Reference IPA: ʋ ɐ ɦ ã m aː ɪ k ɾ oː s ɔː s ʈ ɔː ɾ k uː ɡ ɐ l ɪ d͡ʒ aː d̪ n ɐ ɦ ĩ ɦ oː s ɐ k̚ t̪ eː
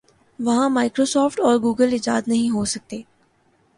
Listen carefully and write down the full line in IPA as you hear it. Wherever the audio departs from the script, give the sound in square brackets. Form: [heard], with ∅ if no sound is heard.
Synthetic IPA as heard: ʋ ɐ ɦ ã m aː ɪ k ɾ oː s ɔː [f] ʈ ɔː ɾ [ɡ] uː ɡ [ə] l ɪ d͡ʒ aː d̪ n ɐ ɦ ĩ ɦ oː s ɐ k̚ t̪ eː